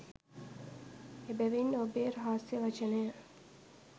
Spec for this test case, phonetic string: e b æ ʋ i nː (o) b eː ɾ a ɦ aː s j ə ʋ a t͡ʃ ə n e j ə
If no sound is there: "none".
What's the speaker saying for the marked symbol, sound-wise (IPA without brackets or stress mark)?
o